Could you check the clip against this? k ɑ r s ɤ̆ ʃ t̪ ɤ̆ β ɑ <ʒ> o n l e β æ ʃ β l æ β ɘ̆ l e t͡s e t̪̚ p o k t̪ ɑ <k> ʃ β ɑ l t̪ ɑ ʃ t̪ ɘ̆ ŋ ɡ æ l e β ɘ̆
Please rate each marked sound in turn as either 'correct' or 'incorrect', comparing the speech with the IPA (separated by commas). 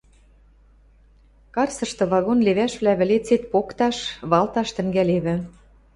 incorrect, incorrect